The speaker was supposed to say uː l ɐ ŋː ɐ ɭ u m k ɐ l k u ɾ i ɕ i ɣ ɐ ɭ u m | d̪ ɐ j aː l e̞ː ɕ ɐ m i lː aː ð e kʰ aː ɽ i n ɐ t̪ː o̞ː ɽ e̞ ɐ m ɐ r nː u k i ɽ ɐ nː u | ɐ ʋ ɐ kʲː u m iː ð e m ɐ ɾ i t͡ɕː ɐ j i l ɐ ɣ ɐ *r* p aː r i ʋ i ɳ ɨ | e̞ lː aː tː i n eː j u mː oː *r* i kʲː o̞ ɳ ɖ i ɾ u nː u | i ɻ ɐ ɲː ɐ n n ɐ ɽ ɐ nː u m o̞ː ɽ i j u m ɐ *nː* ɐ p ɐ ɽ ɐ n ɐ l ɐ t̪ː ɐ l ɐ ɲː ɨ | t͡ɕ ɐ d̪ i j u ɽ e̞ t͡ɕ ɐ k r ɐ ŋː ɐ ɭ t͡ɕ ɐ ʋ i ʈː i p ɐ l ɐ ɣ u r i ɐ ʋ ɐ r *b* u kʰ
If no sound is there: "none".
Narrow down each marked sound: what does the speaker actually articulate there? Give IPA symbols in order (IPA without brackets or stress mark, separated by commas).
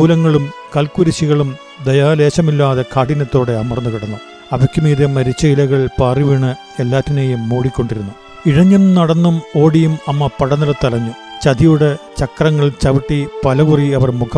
ɭ, ɽ, mː, m